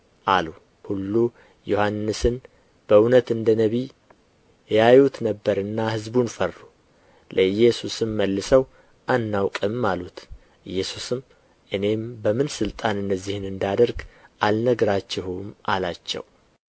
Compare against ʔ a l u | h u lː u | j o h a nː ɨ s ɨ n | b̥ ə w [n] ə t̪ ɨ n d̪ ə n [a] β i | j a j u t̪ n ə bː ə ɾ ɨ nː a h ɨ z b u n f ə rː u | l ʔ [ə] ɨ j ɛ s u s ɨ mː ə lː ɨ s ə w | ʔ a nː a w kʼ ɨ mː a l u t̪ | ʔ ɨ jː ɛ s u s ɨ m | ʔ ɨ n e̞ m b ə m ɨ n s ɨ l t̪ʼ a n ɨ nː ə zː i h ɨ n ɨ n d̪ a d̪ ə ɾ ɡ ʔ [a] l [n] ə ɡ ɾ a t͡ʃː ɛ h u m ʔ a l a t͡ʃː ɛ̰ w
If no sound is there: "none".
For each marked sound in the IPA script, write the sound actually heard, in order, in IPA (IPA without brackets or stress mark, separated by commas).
n, ə, ə, a, n